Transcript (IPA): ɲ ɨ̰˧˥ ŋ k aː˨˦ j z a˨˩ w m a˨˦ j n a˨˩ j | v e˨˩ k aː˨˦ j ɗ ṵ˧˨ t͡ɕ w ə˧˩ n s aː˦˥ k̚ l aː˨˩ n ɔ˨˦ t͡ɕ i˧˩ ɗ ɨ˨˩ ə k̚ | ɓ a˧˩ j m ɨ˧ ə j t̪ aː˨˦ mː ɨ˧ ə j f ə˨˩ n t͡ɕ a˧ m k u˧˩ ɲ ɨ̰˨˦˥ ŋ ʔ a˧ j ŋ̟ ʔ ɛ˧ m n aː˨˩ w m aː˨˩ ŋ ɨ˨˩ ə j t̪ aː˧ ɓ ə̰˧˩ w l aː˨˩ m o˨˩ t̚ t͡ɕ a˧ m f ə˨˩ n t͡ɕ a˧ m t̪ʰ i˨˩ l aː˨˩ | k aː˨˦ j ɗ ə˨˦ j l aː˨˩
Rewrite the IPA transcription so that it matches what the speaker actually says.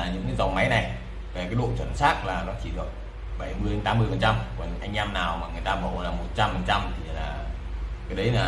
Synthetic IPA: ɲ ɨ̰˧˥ ŋ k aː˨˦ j z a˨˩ w m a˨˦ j n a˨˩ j | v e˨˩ k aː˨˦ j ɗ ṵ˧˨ t͡ɕ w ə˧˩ n s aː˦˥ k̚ l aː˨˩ n ɔ˨˦ t͡ɕ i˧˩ ɗ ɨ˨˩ ə k̚ | ɓ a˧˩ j m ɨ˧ ə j t̪ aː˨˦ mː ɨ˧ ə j f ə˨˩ n t͡ɕ a˧ m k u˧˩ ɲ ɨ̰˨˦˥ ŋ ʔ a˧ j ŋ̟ ʔ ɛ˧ m n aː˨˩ w m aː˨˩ ŋ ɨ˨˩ ə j t̪ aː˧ ɓ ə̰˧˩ w l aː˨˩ m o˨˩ t̚ t͡ɕ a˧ m f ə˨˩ n t͡ɕ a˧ m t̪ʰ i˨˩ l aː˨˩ | k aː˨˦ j ɗ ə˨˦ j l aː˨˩